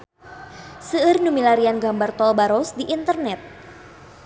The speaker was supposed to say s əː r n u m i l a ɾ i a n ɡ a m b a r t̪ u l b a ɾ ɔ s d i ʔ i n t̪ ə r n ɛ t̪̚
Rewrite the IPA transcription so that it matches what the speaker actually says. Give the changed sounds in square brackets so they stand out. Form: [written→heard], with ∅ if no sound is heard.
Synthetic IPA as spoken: s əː r n u m i l a ɾ i a n ɡ a m b a r t̪ [u→ɔ] l b a ɾ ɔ s d i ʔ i n t̪ ə r n ɛ t̪̚